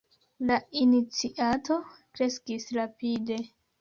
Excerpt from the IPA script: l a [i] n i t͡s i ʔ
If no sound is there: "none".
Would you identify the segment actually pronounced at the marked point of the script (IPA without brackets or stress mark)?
i